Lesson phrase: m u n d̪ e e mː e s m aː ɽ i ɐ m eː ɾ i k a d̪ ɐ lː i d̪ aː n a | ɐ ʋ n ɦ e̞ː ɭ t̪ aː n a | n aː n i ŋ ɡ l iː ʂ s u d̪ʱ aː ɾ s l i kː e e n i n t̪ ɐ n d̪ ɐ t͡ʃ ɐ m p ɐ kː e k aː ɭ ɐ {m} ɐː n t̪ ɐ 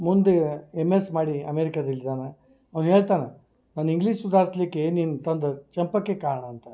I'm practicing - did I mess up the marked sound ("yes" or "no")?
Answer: yes